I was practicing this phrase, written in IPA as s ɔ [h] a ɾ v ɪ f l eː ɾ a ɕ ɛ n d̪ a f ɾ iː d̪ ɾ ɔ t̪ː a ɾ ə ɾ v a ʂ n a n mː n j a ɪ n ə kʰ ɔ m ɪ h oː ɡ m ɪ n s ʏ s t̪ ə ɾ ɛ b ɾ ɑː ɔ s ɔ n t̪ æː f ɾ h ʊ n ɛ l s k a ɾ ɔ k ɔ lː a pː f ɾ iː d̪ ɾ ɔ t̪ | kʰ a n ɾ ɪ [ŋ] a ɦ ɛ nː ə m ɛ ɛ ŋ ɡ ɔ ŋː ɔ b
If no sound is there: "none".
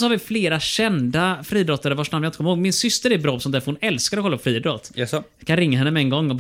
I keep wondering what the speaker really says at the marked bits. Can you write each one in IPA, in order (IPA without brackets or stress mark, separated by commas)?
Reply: h, ŋː